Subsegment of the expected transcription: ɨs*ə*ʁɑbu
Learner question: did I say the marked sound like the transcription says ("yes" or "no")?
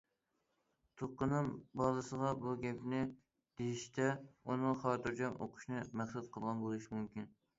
yes